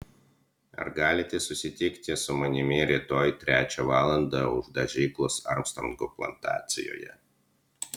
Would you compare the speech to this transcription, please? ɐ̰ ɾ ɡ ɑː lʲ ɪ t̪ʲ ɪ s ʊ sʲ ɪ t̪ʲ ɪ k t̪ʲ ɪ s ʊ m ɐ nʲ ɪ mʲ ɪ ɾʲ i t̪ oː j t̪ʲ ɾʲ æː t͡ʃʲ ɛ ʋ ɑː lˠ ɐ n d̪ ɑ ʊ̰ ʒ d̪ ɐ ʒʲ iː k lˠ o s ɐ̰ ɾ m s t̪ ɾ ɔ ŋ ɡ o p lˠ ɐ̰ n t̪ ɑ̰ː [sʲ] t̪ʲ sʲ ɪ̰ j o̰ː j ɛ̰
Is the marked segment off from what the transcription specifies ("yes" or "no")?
yes